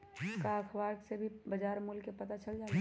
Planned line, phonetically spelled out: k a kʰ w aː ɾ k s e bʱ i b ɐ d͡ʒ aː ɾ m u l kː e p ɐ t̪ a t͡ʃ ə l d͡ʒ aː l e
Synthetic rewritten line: k a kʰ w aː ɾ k s e bʱ i b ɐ d͡ʒ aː ɾ m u l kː e p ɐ t̪ a t͡ʃ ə l d͡ʒ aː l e

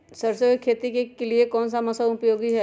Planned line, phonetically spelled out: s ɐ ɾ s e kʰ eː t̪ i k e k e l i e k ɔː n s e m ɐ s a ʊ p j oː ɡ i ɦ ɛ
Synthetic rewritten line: s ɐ ɾ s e kʰ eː t̪ i k e k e l i e k ɔː n s a m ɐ s a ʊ p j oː ɡ i ɦ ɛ

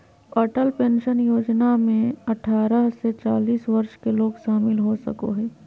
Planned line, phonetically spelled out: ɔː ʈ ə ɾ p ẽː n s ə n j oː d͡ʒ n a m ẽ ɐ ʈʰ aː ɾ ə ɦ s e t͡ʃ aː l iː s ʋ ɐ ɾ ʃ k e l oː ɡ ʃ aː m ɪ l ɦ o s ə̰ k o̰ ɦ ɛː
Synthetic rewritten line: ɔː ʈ ə l p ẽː n ʃ ə n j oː d͡ʒ n a m ẽ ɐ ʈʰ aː ɾ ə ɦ s e t͡ʃ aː l iː s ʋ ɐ ɾ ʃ k e l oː ɡ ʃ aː m ɪ l ɦ o s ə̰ k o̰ ɦ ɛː

